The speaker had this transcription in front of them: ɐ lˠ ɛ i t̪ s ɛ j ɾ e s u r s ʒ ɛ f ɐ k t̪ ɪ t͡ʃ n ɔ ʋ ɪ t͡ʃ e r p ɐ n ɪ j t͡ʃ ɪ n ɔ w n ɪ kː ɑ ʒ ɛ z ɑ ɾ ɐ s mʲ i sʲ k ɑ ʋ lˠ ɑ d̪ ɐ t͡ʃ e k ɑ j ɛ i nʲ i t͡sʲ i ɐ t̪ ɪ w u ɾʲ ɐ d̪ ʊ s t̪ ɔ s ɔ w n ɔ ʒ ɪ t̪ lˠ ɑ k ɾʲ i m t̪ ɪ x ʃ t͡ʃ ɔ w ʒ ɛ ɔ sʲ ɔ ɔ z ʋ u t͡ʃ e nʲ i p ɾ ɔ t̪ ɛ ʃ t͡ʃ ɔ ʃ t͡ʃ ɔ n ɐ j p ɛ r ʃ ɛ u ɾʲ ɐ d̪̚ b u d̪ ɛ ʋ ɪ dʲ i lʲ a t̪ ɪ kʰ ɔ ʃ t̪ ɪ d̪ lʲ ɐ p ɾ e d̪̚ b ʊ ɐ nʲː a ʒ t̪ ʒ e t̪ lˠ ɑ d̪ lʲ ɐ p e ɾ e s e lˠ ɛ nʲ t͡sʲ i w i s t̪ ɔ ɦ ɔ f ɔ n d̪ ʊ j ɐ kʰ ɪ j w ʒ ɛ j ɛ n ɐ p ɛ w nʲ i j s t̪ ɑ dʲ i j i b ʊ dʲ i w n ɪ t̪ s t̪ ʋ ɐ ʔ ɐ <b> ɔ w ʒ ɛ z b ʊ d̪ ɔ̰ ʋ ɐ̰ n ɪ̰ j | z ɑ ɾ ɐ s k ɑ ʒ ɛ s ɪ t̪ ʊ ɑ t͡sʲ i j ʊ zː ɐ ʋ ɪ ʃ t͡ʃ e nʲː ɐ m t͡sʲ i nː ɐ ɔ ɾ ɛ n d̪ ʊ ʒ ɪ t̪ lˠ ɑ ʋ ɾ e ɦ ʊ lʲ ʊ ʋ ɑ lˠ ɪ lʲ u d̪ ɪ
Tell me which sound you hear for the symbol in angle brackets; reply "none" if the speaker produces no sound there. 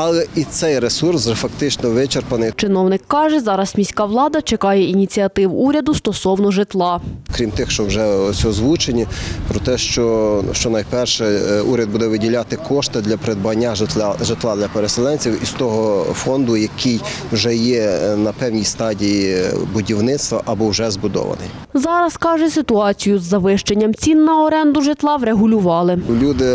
b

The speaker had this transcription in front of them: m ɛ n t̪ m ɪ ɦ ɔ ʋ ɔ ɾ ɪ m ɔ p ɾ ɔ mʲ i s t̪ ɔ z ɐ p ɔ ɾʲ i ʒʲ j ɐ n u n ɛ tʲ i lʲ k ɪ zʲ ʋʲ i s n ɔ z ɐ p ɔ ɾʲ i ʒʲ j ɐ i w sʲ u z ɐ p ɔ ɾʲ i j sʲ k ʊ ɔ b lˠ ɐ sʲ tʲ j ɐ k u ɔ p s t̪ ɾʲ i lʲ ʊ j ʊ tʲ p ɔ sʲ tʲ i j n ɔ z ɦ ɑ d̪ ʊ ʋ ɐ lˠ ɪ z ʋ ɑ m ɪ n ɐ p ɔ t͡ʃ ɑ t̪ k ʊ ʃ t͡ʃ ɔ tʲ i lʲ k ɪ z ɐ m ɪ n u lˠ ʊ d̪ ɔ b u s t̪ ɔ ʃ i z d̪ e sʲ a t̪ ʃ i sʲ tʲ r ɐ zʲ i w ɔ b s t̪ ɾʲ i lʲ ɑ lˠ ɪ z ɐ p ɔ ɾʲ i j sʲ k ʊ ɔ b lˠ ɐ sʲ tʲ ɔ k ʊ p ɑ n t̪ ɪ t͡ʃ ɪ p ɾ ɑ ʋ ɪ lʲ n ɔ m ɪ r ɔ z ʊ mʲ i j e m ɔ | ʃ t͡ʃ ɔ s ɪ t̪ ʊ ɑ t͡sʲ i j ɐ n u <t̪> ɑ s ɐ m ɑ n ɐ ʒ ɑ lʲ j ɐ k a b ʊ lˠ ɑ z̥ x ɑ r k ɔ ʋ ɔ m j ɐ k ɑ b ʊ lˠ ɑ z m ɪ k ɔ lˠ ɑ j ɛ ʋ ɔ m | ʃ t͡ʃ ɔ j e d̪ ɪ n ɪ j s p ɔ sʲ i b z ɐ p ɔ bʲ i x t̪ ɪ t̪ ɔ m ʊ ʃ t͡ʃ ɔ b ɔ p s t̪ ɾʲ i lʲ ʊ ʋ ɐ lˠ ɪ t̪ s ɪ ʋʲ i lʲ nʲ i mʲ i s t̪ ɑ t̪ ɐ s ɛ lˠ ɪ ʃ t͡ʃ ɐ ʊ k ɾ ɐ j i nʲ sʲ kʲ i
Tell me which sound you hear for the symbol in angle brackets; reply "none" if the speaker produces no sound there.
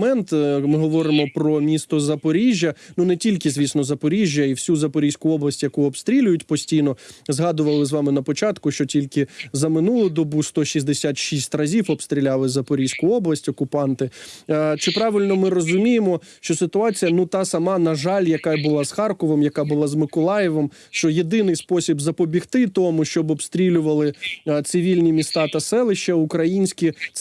t̪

